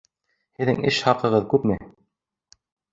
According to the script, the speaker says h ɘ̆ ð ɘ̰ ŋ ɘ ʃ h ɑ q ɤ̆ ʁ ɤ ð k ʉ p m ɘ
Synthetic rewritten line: h ɘ̆ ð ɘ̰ ŋ ɘ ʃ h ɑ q ɤ̆ ʁ ɤ ð k ʉ p m ɘ